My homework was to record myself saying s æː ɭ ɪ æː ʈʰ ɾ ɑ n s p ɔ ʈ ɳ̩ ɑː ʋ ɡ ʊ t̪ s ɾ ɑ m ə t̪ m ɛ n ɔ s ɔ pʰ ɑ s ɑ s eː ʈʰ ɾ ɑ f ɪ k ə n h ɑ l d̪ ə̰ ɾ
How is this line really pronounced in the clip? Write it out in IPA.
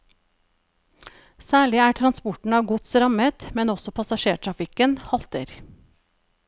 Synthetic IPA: s æː ɭ ɪ æː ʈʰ ɾ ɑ n s p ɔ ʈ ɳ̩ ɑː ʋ ɡ ʊ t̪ s ɾ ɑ m ə t̪ m ɛ n ɔ s ɔ pʰ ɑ s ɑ ʃ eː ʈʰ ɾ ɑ f ɪ k ə n h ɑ l t̪ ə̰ ɾ